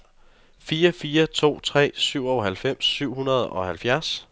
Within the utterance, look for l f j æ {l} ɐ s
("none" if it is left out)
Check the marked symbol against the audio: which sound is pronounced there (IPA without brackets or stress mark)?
none